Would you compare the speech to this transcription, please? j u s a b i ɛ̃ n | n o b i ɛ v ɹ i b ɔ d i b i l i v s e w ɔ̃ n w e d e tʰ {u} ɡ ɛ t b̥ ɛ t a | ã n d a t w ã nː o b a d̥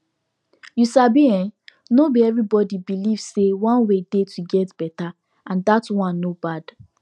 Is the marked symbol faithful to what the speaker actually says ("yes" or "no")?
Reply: yes